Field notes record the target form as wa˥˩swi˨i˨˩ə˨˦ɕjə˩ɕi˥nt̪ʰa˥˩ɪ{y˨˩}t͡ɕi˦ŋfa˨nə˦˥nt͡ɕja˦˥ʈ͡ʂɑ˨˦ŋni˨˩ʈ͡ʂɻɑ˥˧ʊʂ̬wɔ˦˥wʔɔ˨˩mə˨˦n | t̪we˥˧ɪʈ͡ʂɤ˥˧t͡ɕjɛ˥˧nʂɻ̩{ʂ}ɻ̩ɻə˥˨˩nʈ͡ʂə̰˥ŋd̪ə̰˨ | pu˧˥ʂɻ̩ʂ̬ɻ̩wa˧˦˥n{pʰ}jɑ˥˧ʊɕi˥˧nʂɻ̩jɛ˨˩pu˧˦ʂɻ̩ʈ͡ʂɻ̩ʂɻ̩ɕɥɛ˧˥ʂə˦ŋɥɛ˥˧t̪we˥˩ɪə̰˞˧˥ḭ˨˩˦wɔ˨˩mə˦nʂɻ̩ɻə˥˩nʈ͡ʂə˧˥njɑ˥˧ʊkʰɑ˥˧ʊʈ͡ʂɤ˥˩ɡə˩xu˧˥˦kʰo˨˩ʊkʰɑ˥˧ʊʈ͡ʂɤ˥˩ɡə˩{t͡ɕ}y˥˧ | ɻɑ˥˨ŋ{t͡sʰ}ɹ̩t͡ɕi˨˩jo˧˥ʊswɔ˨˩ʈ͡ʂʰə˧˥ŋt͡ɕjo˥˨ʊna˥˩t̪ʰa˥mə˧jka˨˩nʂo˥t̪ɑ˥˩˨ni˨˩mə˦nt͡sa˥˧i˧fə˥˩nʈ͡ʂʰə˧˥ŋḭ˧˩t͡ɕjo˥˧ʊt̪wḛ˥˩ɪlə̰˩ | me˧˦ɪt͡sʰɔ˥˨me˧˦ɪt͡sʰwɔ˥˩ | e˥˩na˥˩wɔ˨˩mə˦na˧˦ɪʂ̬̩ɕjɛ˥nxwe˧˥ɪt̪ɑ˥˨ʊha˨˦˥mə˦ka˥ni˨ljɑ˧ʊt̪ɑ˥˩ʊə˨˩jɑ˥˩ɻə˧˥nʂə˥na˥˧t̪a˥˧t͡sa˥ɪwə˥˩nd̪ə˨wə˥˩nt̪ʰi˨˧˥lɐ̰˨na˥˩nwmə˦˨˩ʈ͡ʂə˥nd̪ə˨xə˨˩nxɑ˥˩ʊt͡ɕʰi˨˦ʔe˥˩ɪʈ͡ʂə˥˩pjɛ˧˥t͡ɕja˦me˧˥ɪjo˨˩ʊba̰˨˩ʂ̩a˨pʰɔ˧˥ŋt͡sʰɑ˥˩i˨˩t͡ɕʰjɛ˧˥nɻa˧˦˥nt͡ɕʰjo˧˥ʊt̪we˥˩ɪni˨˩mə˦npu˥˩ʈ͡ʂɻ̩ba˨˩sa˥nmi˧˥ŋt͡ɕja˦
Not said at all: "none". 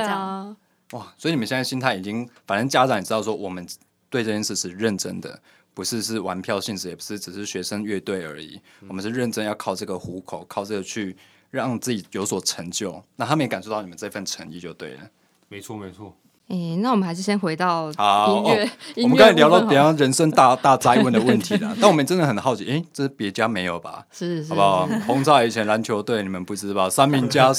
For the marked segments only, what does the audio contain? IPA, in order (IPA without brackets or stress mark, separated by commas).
i˨˩, ʂ, pʰ, t͡ɕʰ, t͡s